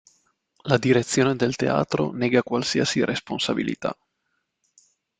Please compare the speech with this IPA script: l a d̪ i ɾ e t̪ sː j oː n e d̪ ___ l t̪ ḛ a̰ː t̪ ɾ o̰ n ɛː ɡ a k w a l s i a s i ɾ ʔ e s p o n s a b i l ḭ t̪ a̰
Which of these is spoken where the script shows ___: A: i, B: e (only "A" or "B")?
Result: B